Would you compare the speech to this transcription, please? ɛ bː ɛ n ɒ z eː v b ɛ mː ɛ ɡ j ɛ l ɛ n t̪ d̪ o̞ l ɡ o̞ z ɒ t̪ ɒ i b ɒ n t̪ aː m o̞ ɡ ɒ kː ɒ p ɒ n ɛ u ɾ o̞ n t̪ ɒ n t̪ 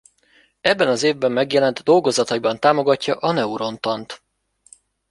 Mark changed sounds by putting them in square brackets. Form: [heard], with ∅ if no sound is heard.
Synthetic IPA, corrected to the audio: ɛ bː ɛ n ɒ z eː v b ɛ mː ɛ ɡ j ɛ l ɛ n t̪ d̪ o̞ l ɡ o̞ z ɒ t̪ ɒ i b ɒ n t̪ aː m o̞ ɡ ɒ [cː] ɒ [ʔ] ɒ n ɛ u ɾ o̞ n t̪ ɒ n t̪